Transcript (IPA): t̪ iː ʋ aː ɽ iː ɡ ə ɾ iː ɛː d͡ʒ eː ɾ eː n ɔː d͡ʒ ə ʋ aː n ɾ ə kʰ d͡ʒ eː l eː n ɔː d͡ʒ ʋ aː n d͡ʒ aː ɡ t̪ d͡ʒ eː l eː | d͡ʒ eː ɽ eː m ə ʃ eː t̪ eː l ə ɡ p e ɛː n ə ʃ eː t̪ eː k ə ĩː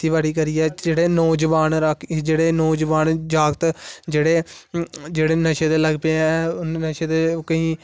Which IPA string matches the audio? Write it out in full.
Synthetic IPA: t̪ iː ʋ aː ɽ iː k ə ɾ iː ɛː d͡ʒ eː ɽ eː n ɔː d͡ʒ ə ʋ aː n ɾ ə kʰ d͡ʒ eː ɽ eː n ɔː d͡ʒ ʋ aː n d͡ʒ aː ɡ t̪ d͡ʒ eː ɽ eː | d͡ʒ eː ɽ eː n ə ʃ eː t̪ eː l ə ɡ p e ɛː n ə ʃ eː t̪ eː k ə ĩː